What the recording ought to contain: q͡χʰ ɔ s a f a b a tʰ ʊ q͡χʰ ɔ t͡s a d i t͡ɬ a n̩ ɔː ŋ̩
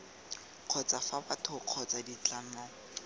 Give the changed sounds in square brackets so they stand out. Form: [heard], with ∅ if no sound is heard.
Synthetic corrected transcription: q͡χʰ ɔ [t͡s] a f a b a tʰ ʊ q͡χʰ ɔ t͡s a d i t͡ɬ a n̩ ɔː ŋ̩